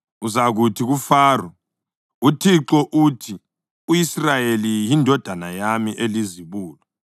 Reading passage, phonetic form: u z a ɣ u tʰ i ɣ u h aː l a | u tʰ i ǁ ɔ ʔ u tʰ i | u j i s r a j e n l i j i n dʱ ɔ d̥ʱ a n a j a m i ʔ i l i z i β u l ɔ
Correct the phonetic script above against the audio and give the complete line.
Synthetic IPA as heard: u z a ɣ u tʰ i ɣ u f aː r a | u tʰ i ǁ ɔ ʔ u tʰ i | u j i s r a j e l i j i n dʱ ɔ d̥ʱ a n a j a m i ʔ e l i z i β uː l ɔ